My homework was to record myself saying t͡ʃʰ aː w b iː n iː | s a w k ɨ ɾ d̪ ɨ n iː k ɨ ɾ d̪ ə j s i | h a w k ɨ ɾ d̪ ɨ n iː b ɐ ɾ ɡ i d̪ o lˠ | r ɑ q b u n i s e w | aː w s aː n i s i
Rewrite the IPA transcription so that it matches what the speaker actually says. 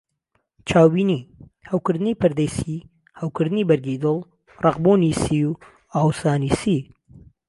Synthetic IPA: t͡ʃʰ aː w b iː n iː | h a w k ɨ ɾ d̪ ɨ n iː p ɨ ɾ d̪ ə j s i | h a w k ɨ ɾ d̪ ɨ n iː b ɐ ɾ ɡ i d̪ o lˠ | r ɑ q b u n i s i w | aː w s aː n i s i

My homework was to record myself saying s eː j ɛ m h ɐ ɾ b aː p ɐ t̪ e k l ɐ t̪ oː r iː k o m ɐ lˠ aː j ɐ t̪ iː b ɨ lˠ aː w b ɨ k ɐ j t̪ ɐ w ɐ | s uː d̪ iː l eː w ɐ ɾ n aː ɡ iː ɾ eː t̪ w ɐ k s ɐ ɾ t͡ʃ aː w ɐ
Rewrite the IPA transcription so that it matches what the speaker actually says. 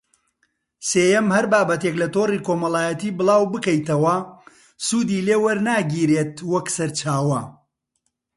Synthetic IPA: s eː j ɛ m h ɐ ɾ b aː b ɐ t̪ e k l ɐ t̪ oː r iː k o m ɐ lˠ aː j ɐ t̪ iː b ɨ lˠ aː w b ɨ k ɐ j t̪ ɐ w ɐ | s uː d̪ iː l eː w ɐ ɾ n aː ɡ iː ɾ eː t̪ w ɐ k s ɐ ɾ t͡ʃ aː w ɐ

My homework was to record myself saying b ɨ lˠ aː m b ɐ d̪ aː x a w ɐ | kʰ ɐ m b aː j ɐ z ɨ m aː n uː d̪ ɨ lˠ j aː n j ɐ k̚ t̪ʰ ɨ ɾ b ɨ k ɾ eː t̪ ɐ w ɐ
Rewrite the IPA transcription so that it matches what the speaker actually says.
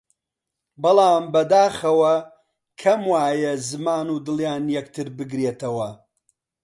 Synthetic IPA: b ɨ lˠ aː m b ɐ d̪ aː x ɐ w ɐ | kʰ ɐ m w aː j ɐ z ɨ m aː n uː d̪ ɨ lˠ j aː n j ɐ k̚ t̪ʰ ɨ ɾ b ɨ ɡ ɾ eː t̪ ɐ w ɐ

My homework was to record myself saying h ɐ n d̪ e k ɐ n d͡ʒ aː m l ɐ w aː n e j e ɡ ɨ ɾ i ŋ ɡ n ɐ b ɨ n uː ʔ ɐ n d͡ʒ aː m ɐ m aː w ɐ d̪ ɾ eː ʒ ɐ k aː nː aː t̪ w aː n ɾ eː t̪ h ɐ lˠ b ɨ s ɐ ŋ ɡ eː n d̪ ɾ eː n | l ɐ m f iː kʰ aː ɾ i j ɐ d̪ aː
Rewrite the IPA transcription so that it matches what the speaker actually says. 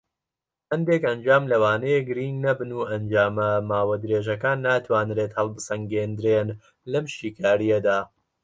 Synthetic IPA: h ɐ n d̪ e k ɐ n d͡ʒ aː m l ɐ w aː n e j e ɡ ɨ ɾ i ŋ ɡ n ɐ b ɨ n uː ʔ ɐ n d͡ʒ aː m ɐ m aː w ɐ d̪ ɾ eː ʒ ɐ k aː nː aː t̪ w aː n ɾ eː t̪ h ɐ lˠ b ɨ s ɐ ŋ ɡ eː n d̪ ɾ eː n | l ɐ m ʃ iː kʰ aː ɾ i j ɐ d̪ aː

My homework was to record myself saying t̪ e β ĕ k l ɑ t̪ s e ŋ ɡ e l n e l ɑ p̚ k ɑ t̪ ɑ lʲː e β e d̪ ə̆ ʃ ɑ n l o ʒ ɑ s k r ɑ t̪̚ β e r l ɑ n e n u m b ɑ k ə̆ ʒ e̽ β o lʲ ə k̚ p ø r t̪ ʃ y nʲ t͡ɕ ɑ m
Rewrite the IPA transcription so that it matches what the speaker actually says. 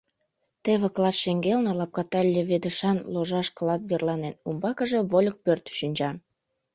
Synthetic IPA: t̪ e β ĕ k l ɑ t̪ ʃ e ŋ ɡ e l n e l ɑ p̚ k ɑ t̪ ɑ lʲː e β e d̪ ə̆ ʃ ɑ n l o ʒ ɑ ʃ k l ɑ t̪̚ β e r l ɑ n e n u m b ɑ k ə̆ ʒ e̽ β o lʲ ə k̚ p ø r t̪ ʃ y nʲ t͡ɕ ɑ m

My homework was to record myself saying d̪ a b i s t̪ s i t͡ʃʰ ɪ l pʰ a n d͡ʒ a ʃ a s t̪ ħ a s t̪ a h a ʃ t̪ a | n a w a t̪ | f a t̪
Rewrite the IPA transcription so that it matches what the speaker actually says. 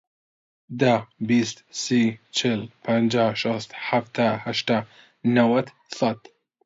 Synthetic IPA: d̪ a b i s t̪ s i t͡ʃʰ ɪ l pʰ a n d͡ʒ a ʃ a s t̪ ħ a f t̪ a h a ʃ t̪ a | n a w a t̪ | s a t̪

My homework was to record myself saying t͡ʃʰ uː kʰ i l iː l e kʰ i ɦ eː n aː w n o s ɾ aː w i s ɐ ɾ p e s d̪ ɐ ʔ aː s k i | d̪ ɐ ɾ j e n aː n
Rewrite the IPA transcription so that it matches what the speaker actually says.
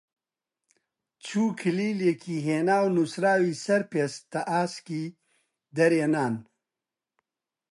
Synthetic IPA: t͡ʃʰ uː kʰ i l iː l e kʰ i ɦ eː n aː w n u s ɾ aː w i s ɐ ɾ p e s t̪ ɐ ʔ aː s k i | d̪ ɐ ɾ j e n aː n

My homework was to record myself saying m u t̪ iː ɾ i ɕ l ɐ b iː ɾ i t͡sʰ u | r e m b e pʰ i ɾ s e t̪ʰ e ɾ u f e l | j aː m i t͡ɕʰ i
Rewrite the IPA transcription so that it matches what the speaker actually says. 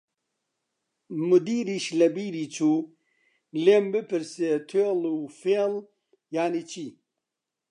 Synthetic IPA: m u d̪ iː ɾ i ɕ l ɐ b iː ɾ i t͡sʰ u | l e m b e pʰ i ɾ s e t̪ʰ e l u f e l | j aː n i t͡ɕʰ i

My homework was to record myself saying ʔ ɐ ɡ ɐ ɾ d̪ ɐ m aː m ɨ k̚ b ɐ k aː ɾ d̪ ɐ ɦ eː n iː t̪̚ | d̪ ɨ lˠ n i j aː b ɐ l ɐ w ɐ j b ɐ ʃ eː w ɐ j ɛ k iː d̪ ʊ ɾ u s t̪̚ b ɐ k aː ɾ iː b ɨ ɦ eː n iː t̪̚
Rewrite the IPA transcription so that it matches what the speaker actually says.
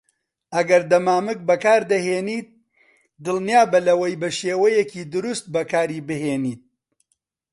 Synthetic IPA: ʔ ɐ ɡ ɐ ɾ d̪ ɐ m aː m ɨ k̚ b ɐ k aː ɾ d̪ ɐ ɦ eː n iː t̪̚ | d̪ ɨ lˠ n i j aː b ɐ l ɐ w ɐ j b ɐ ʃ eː w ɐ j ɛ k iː d̪ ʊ ɾ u s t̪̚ b ɐ k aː ɾ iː b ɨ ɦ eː n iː t̪̚

